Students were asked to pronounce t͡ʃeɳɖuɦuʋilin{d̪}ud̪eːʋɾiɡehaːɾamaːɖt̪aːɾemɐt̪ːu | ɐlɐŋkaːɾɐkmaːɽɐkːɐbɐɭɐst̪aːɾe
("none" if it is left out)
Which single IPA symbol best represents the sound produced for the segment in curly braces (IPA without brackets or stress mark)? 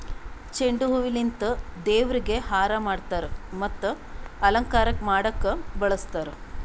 t̪